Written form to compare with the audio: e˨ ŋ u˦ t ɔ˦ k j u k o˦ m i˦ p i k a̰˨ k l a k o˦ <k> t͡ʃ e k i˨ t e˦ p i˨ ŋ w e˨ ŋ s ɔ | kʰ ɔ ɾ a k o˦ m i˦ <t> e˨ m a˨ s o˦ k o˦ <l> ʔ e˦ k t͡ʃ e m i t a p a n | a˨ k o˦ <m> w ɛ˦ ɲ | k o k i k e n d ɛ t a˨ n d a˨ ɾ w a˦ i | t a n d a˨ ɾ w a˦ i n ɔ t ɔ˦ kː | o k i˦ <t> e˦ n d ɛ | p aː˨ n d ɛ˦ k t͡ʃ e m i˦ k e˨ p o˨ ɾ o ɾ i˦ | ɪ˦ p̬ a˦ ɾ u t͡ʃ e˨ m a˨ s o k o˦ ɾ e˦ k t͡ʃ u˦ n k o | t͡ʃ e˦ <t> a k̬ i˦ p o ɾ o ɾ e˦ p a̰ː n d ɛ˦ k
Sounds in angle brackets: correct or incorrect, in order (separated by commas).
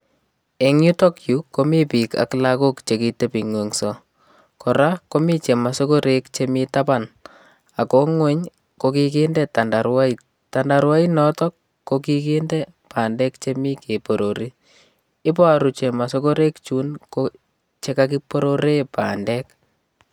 correct, incorrect, incorrect, incorrect, incorrect, incorrect